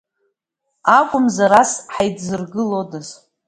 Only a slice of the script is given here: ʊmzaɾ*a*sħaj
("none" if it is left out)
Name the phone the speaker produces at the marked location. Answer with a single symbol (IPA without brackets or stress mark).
a